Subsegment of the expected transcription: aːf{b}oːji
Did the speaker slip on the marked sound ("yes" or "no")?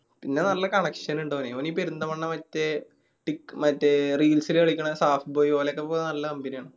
no